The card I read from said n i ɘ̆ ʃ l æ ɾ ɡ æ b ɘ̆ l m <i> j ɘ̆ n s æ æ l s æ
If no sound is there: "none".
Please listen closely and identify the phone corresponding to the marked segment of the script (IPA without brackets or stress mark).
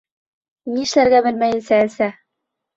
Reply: æ